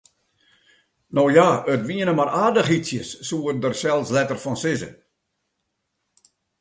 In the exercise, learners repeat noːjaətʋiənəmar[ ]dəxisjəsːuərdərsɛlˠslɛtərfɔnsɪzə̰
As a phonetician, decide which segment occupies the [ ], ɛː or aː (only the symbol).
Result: aː